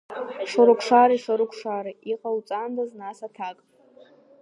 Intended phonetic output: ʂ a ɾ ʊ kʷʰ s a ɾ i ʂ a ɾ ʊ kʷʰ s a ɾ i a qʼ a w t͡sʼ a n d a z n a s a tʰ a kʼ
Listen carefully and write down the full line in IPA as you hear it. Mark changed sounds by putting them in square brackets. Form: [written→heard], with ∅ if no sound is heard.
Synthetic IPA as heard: ʂ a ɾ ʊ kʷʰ [s→ʂ] a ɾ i ʂ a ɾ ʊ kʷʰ [s→ʂ] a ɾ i [a→i] qʼ a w t͡sʼ a n d a z n a s a tʰ a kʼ